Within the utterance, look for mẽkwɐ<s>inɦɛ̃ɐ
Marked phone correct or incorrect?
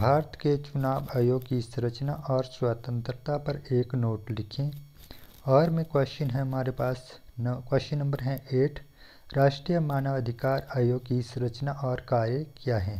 incorrect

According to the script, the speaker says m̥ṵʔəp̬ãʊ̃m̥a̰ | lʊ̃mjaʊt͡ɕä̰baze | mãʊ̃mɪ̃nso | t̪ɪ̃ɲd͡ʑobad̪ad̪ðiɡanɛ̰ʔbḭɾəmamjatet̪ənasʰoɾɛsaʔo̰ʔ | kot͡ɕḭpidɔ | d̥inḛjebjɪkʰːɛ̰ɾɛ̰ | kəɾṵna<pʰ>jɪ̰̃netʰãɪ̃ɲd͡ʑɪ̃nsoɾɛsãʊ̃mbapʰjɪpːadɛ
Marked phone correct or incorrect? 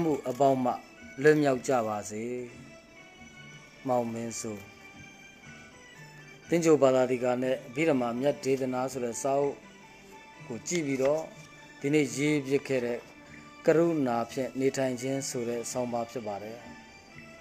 correct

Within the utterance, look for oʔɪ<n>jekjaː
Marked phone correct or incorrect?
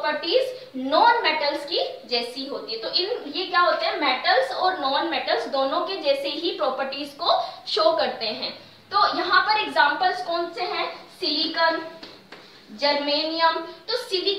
correct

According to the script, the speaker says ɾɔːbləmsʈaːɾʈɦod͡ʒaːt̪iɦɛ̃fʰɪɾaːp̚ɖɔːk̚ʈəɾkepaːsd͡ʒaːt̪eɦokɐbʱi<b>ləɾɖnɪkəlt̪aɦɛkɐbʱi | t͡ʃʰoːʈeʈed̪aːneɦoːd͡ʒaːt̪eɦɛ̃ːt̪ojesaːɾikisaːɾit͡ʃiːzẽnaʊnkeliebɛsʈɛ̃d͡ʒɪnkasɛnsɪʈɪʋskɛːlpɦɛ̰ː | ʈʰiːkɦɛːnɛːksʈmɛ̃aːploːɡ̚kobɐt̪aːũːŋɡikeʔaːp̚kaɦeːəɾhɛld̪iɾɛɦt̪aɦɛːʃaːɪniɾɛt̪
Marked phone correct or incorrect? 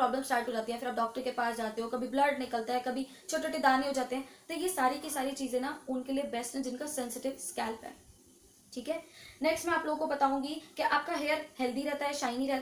correct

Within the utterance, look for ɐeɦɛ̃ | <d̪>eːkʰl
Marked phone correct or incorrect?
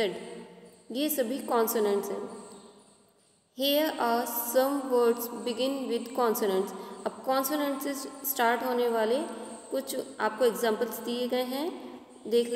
correct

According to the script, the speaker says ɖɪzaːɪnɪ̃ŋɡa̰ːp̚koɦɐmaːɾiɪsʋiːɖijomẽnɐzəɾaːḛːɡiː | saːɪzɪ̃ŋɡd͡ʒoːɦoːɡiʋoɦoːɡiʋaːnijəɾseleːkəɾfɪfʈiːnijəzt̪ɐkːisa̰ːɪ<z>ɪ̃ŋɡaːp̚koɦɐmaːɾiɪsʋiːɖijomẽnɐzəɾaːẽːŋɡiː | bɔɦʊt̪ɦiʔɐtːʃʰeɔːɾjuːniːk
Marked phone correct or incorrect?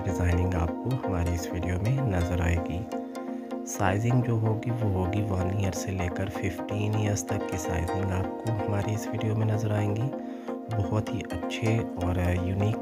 correct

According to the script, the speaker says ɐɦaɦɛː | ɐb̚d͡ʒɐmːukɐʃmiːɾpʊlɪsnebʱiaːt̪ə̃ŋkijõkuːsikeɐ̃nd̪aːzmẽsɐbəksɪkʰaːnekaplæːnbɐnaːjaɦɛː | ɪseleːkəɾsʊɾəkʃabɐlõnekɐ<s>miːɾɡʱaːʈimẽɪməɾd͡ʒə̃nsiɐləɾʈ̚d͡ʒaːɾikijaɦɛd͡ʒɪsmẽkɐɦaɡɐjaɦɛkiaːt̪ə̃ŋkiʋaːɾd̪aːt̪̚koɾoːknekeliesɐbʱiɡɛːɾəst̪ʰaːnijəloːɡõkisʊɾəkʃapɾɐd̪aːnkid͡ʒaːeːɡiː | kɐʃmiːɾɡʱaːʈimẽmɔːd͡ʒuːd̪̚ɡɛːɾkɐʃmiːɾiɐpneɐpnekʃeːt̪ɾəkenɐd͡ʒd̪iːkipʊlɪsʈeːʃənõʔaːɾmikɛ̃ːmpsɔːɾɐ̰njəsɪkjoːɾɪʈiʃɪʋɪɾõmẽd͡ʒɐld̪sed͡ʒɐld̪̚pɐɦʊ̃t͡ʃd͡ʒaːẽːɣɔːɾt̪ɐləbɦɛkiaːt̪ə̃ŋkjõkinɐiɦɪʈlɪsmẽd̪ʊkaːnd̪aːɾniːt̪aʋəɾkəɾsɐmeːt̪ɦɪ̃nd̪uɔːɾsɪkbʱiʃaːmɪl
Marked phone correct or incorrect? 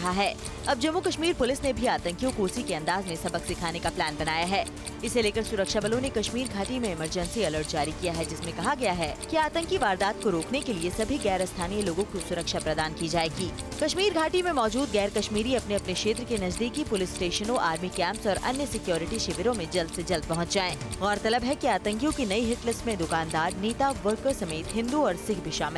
incorrect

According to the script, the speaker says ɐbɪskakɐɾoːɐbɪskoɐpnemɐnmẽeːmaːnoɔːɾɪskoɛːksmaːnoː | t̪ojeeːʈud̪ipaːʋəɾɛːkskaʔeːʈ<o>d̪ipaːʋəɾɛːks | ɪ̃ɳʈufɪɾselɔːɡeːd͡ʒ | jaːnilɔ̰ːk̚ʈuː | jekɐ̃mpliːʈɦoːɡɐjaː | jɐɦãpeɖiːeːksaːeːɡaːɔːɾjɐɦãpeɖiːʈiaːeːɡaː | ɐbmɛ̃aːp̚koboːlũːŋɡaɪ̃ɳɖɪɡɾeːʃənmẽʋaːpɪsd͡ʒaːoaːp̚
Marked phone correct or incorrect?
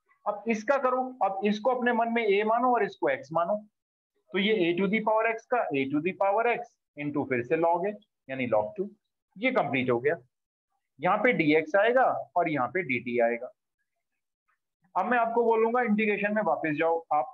incorrect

